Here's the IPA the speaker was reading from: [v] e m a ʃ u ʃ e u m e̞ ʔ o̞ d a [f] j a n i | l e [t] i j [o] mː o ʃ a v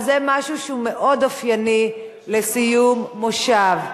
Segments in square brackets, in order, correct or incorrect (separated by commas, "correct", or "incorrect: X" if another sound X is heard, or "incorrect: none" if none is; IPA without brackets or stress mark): incorrect: z, correct, incorrect: s, incorrect: u